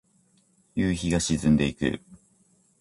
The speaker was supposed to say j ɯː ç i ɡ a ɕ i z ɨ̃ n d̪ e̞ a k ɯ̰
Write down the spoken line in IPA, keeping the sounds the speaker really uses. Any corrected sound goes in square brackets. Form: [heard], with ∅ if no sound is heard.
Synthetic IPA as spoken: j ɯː ç i ɡ a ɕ i z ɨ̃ n d̪ e̞ [i] k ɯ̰